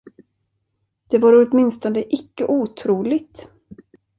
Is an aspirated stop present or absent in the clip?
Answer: present